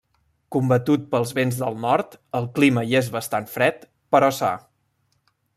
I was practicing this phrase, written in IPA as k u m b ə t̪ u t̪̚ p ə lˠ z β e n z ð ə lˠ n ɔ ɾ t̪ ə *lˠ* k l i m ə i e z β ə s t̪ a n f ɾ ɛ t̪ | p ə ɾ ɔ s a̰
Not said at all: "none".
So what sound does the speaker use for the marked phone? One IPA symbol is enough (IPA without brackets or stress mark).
lˠ